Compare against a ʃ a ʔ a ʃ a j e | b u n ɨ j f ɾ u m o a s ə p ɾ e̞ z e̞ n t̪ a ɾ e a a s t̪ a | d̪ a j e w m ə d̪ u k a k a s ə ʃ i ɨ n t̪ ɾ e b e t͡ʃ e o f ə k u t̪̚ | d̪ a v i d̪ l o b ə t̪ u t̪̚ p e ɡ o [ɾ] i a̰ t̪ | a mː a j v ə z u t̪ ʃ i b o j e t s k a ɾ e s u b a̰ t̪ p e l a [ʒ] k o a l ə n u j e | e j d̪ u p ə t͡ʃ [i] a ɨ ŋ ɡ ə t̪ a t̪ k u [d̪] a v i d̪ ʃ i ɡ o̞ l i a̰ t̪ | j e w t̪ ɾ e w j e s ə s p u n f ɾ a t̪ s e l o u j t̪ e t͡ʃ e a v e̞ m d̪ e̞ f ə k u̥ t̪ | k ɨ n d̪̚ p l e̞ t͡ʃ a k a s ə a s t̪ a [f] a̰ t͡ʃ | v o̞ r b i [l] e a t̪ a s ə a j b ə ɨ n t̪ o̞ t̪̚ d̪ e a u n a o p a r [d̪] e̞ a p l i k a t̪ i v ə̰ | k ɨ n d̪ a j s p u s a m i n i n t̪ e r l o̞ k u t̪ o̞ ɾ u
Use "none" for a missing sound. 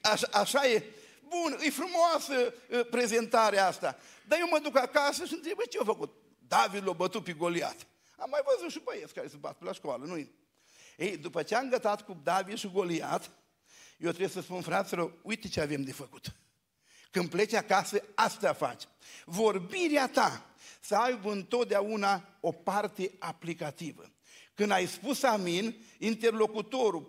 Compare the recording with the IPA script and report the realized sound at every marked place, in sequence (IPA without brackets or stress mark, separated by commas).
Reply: l, ʃ, e, d̪, f, ɾ, t̪